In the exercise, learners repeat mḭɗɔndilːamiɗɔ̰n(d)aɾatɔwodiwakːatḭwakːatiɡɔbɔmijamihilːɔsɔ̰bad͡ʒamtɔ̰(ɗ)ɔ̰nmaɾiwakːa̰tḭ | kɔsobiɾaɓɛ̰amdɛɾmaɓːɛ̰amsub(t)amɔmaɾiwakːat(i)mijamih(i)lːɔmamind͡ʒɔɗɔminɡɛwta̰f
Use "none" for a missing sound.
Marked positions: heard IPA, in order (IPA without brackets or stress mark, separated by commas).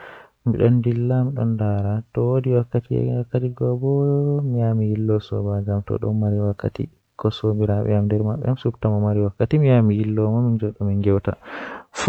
d, ɗ, t, i, i